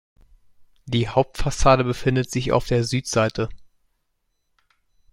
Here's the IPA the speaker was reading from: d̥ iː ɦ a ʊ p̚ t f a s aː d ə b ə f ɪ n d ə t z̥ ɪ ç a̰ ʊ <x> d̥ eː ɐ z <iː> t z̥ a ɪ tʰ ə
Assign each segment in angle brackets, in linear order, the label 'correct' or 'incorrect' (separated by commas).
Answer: incorrect, incorrect